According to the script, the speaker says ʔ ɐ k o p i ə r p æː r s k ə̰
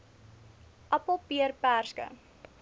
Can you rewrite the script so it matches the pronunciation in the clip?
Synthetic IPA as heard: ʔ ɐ p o p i ə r p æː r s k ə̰